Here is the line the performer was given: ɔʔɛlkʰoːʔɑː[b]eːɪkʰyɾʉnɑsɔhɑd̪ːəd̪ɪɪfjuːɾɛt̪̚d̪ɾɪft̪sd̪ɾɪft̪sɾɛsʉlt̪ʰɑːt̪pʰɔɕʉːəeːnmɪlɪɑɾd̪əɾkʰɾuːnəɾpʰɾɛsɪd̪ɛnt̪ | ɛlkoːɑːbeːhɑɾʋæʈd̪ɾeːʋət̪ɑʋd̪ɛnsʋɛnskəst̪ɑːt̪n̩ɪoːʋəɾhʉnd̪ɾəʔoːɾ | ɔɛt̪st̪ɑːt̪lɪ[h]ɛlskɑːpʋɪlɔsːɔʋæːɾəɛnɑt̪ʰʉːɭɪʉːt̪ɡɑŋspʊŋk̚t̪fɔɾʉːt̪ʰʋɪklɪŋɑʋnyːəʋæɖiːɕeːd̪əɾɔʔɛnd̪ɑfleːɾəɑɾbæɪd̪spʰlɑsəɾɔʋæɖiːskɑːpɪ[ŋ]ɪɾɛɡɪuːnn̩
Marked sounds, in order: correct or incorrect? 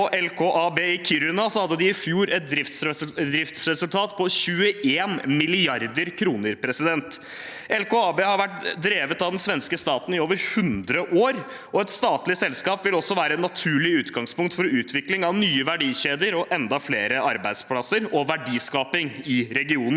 correct, incorrect: s, correct

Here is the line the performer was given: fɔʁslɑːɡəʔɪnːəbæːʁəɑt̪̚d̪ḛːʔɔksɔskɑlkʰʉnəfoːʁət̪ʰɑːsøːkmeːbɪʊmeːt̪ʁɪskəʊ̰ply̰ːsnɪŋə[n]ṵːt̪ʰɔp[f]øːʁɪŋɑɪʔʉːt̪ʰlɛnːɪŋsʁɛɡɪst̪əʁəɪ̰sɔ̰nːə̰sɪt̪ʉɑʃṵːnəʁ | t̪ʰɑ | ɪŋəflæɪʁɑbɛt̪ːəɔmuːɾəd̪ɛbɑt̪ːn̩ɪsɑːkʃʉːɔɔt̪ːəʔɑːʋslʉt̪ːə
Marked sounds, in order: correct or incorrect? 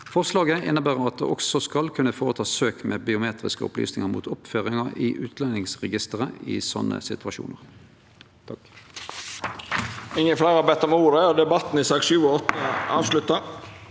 incorrect: m, correct

